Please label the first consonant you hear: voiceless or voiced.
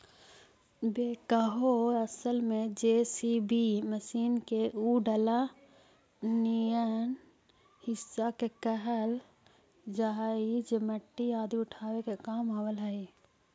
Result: voiced